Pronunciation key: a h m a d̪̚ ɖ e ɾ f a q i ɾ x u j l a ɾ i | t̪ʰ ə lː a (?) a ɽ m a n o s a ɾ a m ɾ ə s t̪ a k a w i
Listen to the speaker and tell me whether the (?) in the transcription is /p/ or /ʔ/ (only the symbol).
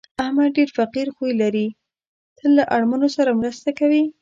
ʔ